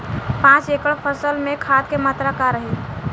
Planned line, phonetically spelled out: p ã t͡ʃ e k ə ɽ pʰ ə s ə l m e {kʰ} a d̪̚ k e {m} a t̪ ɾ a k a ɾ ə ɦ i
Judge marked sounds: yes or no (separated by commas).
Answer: yes, yes